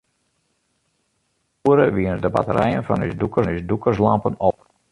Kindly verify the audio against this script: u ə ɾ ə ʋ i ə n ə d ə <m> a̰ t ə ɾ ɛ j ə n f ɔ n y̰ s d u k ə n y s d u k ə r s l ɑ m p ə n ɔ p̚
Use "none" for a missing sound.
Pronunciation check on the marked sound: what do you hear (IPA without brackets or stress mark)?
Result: b